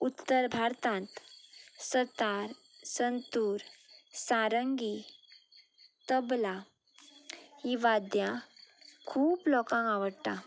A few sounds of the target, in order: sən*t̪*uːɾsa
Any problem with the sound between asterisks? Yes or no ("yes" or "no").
no